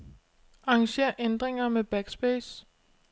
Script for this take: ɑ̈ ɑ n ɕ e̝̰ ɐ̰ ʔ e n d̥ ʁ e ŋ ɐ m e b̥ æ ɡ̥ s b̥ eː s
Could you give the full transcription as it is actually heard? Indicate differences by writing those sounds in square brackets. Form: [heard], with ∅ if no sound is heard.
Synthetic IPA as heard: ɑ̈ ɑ [ŋ] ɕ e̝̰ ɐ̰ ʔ e n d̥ ʁ e ŋ ɐ m e b̥ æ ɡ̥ s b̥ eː s